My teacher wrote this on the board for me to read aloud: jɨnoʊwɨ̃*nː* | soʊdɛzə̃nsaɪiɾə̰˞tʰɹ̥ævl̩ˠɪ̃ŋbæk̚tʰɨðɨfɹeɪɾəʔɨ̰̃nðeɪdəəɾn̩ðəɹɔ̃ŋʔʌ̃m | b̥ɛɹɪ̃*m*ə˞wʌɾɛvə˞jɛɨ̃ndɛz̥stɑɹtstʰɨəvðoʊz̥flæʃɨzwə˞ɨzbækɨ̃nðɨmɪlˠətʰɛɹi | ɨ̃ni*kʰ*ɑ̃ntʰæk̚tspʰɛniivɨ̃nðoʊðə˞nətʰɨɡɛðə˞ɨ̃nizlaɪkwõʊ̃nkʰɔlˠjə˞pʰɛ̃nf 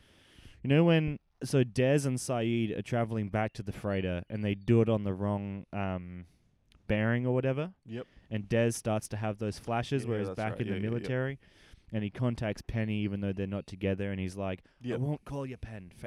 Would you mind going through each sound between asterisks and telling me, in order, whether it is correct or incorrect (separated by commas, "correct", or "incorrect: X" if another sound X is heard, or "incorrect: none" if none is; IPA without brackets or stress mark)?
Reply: incorrect: n, incorrect: ŋ, correct